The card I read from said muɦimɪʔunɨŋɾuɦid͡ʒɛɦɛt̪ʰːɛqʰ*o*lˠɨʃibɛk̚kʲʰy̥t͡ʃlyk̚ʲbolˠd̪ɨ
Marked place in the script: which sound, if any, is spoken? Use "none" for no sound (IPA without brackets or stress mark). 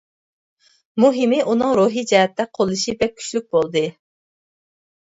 o